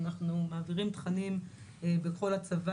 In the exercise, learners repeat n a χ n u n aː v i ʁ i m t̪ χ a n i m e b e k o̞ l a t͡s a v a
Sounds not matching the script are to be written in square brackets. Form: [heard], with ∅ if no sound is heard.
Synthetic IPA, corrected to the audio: n a χ n u [m] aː v i ʁ i m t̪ χ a n i m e b e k o̞ l a t͡s a v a